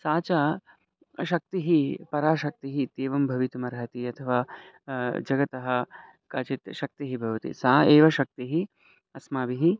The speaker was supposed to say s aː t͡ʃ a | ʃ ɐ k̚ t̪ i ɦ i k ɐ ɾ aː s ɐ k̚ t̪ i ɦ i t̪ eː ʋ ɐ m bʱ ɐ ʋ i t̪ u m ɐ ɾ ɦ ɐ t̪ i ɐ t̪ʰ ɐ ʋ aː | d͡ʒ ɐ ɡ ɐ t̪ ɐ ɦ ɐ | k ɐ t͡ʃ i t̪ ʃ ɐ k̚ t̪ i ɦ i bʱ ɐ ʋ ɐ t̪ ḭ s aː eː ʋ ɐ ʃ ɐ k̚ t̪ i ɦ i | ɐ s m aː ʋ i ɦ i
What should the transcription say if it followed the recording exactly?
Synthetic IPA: s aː t͡ʃ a | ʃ ɐ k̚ t̪ i ɦ i p ɐ ɾ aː ʃ ɐ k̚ t̪ i ɦ i t̪ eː ʋ ɐ m bʱ ɐ ʋ i t̪ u m ɐ ɾ ɦ ɐ t̪ i ɐ t̪ʰ ɐ ʋ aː | d͡ʒ ɐ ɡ ɐ t̪ ɐ ɦ ɐ | k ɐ t͡ʃ i t̪ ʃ ɐ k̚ t̪ i ɦ i bʱ ɐ ʋ ɐ t̪ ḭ s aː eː ʋ ɐ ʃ ɐ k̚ t̪ i ɦ i | ɐ s m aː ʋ i ɦ i